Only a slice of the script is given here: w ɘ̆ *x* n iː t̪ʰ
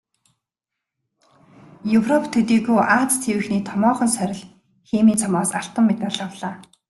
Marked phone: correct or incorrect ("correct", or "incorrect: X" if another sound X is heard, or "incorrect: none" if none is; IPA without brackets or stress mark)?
correct